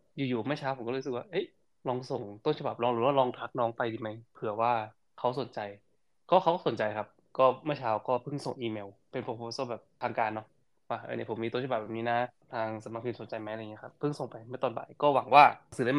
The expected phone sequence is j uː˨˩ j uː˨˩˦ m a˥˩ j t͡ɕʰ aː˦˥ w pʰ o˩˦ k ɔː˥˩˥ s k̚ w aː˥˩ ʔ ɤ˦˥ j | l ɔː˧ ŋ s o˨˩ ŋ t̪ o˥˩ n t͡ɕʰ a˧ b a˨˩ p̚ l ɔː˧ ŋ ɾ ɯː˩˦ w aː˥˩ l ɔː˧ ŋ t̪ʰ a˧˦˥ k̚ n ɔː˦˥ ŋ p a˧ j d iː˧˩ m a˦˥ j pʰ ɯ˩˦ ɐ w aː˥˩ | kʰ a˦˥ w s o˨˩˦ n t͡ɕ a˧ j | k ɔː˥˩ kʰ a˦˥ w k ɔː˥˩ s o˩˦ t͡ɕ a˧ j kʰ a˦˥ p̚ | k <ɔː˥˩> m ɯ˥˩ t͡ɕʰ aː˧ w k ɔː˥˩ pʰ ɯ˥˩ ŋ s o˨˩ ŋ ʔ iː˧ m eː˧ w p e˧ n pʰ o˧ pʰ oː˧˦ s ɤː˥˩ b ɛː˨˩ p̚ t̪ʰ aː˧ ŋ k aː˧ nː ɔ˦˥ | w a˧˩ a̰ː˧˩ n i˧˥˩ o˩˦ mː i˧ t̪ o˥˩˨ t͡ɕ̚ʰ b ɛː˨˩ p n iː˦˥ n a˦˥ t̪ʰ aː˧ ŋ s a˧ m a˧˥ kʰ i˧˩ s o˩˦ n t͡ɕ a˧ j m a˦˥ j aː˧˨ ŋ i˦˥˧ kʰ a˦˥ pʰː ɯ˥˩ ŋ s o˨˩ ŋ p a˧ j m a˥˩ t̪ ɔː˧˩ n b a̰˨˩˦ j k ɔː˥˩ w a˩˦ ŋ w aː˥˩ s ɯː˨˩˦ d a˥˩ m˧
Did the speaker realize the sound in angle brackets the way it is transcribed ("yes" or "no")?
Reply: yes